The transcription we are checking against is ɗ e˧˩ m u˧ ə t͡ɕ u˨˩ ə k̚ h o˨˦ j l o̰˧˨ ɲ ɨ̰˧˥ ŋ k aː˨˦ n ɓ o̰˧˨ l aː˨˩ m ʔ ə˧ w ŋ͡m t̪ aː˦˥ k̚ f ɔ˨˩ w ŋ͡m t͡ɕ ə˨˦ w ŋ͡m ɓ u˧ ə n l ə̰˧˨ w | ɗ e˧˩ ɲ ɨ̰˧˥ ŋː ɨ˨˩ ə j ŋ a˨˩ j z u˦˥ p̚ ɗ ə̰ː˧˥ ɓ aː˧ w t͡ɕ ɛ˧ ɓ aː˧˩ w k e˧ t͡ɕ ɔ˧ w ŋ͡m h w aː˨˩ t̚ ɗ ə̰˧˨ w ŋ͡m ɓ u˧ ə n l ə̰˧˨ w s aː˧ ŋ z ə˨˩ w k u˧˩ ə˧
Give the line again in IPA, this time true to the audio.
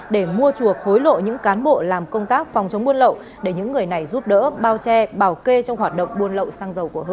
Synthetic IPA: ɗ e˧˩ m u˧ ə t͡ɕ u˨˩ ə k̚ h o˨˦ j l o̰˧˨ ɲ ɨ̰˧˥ ŋ k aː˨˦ n ɓ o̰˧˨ l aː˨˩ m k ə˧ w ŋ͡m t̪ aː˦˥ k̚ f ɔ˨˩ w ŋ͡m t͡ɕ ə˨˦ w ŋ͡m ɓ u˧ ə n l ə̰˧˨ w | ɗ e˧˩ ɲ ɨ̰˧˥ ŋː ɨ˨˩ ə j n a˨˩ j z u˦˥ p̚ ɗ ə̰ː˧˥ ɓ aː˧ w t͡ɕ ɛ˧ ɓ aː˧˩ w k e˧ t͡ɕ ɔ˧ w ŋ͡m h w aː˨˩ t̚ ɗ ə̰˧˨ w ŋ͡m ɓ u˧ ə n l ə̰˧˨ w s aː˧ ŋ z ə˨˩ w k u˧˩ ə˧